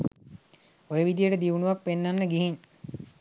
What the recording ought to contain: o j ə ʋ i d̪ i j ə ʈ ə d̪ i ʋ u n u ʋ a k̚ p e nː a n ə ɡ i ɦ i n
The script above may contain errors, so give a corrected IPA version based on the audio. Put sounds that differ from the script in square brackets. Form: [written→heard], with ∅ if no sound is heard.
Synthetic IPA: o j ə ʋ i d̪ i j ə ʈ ə d̪ i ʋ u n u ʋ a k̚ p e nː a [n→nː] ə ɡ i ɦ i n